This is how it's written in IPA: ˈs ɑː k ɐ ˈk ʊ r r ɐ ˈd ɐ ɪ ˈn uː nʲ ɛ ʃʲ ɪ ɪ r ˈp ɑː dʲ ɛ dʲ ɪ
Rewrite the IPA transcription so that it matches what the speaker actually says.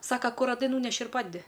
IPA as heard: ˈs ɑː k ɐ ˈk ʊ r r ɐ ˈd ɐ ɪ ˈn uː nʲ ɛ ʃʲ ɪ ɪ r ˈp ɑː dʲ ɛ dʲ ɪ